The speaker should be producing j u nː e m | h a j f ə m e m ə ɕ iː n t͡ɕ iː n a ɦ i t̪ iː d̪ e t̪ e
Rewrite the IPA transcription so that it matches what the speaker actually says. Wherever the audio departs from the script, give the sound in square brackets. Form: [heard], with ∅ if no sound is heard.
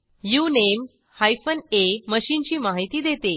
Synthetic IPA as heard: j u [n] e m | h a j f ə [n] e m ə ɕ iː n t͡ɕ iː [m] a ɦ i t̪ iː d̪ e t̪ e